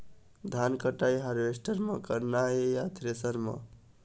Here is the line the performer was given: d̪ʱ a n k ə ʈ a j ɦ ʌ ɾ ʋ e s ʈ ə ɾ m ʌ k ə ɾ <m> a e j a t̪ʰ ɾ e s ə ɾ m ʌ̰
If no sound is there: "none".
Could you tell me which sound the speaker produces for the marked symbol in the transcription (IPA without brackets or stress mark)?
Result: n